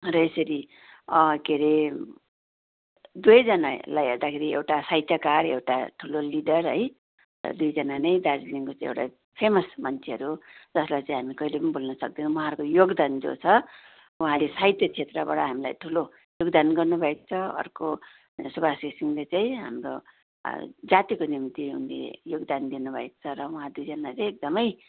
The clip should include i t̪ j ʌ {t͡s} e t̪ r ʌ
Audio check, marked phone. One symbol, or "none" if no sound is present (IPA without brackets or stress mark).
t͡sʰ